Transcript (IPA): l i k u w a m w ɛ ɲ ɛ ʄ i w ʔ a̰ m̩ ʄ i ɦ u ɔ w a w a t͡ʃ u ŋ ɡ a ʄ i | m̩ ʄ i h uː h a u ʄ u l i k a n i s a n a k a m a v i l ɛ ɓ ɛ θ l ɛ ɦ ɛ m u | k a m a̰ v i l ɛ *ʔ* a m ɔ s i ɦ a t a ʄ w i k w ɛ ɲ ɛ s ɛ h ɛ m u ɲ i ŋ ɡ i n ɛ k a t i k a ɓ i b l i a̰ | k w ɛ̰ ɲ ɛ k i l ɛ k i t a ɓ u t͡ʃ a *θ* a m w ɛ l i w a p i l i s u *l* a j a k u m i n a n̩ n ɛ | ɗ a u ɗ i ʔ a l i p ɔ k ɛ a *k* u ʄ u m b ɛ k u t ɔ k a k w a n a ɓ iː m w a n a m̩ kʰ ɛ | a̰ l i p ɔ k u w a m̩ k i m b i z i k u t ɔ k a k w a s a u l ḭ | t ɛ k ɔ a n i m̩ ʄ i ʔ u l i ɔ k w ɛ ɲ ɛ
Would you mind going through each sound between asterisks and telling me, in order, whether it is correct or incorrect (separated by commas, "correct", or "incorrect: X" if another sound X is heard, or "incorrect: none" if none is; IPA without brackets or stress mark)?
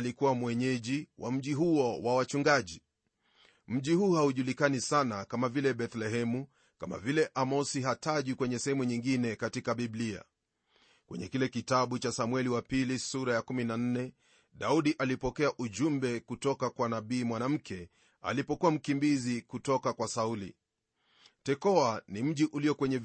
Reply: correct, incorrect: s, incorrect: ɾ, incorrect: ʔ